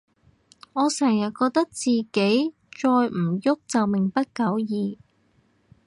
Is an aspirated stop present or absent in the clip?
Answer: absent